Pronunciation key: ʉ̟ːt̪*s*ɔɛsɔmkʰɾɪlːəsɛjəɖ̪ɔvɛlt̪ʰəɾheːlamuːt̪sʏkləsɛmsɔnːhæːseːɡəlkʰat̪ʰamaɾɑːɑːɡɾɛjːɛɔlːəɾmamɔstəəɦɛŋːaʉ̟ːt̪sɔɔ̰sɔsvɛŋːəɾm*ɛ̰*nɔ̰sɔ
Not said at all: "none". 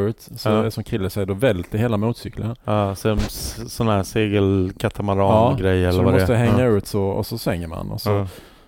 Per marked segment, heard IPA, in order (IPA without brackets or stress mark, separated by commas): s, a̰